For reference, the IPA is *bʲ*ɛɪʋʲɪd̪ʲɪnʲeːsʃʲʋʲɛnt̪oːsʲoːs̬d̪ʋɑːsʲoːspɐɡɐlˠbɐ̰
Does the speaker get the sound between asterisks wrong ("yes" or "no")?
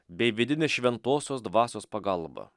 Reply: no